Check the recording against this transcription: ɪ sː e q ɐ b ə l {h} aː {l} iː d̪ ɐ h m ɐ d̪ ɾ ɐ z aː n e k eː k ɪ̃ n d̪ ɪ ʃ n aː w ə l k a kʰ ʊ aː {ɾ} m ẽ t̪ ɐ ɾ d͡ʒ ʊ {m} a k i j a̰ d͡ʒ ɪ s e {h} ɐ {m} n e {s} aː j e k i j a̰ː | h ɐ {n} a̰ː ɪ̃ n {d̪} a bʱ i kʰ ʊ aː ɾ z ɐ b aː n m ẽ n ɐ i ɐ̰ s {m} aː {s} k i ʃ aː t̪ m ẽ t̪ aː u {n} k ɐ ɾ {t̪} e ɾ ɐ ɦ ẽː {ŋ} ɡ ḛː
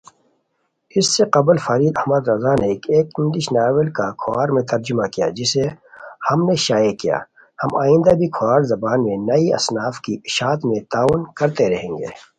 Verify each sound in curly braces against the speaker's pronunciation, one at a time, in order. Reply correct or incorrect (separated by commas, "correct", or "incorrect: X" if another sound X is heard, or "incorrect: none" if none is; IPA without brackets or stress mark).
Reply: incorrect: f, incorrect: ɾ, correct, correct, correct, correct, incorrect: ʃ, incorrect: m, correct, incorrect: n, incorrect: f, correct, correct, correct